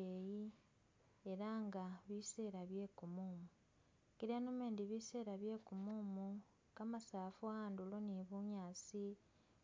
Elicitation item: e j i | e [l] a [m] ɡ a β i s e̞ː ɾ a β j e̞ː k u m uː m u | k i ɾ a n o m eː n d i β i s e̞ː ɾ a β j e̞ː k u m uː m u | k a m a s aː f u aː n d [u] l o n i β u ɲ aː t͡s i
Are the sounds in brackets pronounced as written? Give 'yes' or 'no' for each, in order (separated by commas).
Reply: no, no, yes